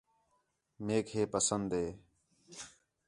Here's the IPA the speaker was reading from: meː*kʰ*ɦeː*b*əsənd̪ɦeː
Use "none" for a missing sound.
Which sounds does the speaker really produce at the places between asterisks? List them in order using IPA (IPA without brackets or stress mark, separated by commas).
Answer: k, p